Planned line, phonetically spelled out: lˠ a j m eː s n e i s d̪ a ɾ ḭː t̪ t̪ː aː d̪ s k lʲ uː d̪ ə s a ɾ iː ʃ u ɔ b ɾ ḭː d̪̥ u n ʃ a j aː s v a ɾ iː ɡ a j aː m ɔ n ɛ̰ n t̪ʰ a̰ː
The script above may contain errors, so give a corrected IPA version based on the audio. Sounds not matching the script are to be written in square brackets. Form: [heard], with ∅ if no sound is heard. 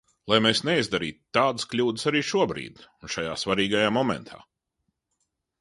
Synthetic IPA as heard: lˠ a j m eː s n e i [z] d̪ a ɾ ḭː t̪ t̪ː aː d̪ s k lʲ uː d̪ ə s a ɾ iː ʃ u ɔ b ɾ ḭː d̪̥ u n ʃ a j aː s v a ɾ iː ɡ a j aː m ɔ [m] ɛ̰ n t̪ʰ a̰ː